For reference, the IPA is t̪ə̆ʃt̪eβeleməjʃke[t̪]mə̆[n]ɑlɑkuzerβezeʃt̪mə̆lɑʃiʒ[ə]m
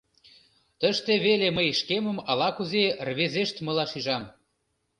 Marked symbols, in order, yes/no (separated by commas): no, no, no